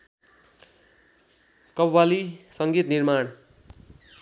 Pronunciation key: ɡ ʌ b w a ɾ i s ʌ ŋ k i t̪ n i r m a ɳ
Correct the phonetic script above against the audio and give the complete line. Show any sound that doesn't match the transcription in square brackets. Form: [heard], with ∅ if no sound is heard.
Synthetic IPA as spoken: [k] ʌ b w a [l] i s ʌ ŋ [ɡ] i t̪ n i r m a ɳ